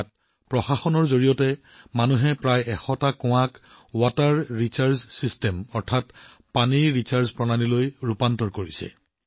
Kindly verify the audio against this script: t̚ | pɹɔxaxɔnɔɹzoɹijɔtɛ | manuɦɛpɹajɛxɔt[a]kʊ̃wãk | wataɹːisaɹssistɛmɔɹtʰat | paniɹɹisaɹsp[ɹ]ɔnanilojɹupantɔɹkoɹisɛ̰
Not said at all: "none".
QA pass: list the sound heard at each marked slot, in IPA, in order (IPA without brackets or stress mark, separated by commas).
a, ɹ